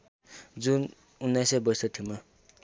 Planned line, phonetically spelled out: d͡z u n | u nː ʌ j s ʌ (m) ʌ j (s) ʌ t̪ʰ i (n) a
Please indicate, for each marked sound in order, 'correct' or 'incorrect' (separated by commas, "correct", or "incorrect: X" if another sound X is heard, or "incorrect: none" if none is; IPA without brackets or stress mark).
incorrect: b, correct, incorrect: m